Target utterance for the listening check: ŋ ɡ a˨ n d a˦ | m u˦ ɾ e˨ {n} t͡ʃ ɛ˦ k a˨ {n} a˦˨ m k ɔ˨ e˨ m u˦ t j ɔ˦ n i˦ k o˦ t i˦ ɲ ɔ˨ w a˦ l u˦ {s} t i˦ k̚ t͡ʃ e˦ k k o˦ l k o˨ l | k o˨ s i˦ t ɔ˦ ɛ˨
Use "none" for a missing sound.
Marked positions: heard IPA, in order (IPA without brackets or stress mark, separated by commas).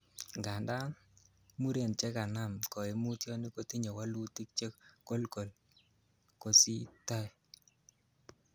n, n, none